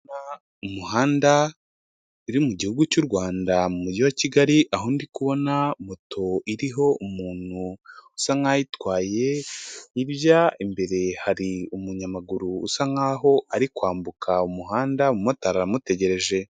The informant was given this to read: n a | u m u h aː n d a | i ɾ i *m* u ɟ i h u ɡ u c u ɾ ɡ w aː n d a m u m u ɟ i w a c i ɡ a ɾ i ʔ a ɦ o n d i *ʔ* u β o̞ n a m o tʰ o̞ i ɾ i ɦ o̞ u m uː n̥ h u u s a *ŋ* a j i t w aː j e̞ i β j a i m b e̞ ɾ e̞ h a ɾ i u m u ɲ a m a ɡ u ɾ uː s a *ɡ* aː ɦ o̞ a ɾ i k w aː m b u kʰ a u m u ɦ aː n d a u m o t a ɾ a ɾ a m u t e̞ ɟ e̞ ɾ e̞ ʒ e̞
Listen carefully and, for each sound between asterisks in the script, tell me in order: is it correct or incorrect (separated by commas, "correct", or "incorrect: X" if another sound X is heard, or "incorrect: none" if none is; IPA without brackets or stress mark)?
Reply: correct, incorrect: k, correct, incorrect: ŋ